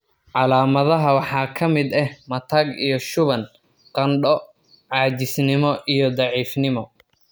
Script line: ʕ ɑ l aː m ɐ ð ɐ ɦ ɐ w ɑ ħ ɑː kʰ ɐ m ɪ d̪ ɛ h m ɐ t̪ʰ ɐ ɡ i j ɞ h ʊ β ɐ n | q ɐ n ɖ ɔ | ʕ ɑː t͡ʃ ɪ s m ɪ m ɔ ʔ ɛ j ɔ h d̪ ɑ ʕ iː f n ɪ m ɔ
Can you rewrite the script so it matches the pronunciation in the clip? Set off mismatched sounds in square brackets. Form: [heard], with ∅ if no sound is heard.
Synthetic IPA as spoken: ʕ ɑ l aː m ɐ ð ɐ ɦ ɐ w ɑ ħ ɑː kʰ ɐ m ɪ d̪ ɛ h m ɐ t̪ʰ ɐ ɡ i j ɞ [ʃ] ʊ β ɐ n | q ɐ n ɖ ɔ | ʕ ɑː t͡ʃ ɪ s [n] ɪ m ɔ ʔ [i] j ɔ [∅] d̪ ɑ ʕ iː f n ɪ m ɔ